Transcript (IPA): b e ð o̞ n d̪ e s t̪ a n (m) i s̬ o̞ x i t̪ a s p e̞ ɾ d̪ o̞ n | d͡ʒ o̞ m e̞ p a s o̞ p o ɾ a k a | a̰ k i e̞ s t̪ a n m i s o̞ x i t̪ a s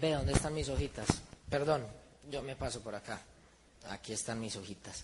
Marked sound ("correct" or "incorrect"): correct